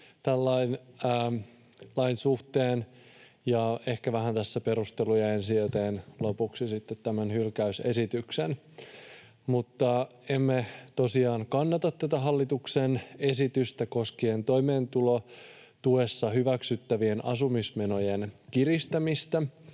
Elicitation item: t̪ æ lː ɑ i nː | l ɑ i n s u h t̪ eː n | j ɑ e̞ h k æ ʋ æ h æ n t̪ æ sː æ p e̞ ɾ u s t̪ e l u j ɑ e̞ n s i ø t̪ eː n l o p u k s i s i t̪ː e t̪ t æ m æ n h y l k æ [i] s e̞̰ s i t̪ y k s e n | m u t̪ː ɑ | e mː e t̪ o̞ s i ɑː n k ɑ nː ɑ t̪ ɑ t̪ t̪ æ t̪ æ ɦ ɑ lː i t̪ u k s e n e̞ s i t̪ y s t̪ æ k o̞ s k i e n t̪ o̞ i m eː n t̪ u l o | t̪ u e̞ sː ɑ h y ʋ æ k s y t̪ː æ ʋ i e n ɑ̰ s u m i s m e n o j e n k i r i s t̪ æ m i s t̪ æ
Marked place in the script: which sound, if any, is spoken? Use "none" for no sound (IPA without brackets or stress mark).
y